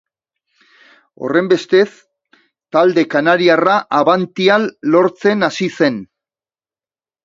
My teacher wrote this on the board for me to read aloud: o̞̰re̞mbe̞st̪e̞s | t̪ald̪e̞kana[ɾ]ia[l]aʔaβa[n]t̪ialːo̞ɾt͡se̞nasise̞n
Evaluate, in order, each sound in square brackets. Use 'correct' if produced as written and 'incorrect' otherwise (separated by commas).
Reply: correct, incorrect, correct